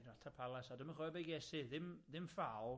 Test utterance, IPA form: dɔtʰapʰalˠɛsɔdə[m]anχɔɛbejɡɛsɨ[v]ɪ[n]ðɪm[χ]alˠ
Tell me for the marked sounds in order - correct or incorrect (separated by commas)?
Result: correct, incorrect, incorrect, incorrect